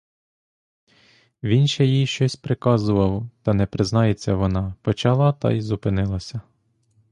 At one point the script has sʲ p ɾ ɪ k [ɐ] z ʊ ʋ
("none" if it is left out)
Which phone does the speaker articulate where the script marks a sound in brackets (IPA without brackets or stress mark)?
ɑ